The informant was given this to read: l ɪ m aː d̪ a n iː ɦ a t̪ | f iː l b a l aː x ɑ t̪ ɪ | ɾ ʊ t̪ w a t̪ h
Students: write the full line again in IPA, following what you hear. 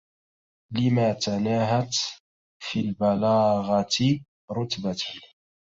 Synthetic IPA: l ɪ m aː t̪ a n aː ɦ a t̪ | f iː l b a l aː ɣ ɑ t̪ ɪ | ɾ ʊ t̪ b a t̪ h